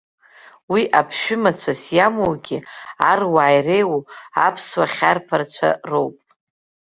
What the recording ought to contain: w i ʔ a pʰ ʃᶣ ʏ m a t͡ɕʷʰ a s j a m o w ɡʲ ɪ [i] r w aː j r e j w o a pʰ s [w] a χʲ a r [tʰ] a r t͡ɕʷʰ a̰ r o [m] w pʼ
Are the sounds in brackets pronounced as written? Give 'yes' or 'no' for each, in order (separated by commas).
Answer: no, yes, no, no